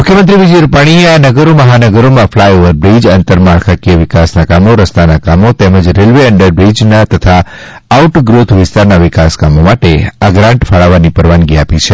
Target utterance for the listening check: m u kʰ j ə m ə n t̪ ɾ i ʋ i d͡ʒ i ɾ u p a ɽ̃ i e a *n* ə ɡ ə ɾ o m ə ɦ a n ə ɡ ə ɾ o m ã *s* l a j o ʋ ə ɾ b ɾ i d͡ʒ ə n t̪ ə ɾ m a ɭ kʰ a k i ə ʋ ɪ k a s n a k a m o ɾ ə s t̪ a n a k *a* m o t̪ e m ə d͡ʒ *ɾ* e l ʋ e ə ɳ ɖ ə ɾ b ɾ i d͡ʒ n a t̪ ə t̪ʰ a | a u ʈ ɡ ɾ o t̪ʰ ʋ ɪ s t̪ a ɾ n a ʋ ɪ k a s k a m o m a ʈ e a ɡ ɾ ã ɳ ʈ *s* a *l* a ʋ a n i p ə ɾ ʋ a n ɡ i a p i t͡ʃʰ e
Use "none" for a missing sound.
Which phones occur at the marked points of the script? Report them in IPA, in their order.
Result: n, f, a, ɾ, f, ɭ

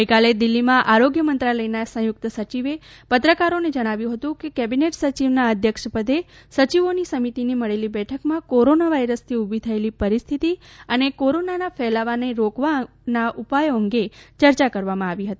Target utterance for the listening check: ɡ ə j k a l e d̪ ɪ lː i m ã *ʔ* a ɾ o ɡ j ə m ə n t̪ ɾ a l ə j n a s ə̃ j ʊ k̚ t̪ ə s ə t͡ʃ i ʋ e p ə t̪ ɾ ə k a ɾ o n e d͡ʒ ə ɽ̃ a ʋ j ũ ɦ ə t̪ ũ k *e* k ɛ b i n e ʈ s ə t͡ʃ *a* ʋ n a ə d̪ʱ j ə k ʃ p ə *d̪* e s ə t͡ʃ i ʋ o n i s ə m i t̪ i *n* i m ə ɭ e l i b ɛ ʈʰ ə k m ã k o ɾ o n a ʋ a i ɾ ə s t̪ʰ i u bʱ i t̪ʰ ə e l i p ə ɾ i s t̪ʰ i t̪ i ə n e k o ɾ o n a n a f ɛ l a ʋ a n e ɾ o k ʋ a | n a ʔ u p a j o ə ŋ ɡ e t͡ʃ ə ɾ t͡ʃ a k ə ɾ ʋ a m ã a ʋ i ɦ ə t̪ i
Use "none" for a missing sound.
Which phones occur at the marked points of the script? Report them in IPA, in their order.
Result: ʔ, e, i, d̪, n

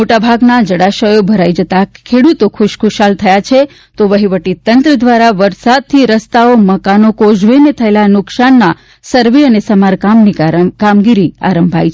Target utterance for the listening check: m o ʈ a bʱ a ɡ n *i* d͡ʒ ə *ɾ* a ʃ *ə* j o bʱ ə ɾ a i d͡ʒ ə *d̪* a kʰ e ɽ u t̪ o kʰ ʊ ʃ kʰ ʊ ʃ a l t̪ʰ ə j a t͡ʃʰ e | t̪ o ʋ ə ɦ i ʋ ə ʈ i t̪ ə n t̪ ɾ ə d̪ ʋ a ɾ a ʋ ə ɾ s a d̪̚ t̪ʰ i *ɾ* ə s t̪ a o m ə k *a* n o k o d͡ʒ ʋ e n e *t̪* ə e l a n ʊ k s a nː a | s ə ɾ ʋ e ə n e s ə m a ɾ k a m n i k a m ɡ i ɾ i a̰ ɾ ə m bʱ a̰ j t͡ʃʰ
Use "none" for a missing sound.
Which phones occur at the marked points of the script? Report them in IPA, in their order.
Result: a, ɽ, ə, t̪, ɾ, a, t̪ʰ

